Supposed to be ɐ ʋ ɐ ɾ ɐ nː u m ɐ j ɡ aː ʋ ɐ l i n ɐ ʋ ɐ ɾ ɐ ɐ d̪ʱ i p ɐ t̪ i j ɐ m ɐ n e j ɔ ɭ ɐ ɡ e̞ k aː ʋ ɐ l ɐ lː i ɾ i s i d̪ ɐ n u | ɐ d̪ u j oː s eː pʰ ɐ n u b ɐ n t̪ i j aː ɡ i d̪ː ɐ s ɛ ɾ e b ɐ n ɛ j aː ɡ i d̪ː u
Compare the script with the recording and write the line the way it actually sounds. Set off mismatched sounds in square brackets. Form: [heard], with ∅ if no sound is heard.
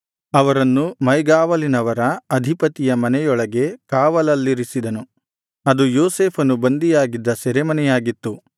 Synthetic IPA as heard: ɐ ʋ ɐ ɾ ɐ nː u m ɐ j ɡ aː ʋ ɐ l i n ɐ ʋ ɐ ɾ ɐ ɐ d̪ʱ i p ɐ t̪ i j ɐ m ɐ n [ɛ] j ɔ ɭ ɐ ɡ e̞ k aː ʋ ɐ l ɐ lː i ɾ i s i d̪ ɐ n u | ɐ d̪ u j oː s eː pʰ ɐ n u b ɐ n [d̪] i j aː ɡ i d̪ː ɐ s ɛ ɾ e [m] ɐ n ɛ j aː ɡ i [t̪ː] u